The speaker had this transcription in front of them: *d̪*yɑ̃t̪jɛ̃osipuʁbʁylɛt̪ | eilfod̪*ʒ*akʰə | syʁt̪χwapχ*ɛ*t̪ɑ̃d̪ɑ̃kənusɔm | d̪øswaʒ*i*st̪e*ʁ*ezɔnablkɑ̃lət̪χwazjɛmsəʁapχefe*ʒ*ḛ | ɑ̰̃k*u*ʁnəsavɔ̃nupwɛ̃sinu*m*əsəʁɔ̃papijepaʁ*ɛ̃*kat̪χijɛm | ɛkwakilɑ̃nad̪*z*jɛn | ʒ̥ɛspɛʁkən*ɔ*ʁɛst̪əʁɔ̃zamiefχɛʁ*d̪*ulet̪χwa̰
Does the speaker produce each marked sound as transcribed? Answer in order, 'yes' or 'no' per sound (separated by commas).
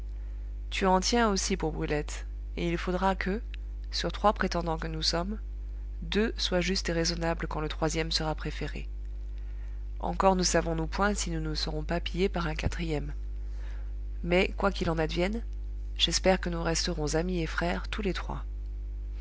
no, no, no, no, yes, no, no, no, yes, no, no, no